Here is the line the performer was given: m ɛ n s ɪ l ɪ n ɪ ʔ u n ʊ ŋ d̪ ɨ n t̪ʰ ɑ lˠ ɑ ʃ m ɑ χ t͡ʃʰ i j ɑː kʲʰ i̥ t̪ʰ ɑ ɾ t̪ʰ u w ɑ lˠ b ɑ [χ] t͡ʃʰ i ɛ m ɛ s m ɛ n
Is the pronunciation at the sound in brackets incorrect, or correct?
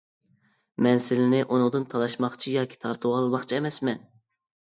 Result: correct